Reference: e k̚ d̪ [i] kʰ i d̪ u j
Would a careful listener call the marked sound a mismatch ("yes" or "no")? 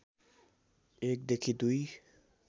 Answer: yes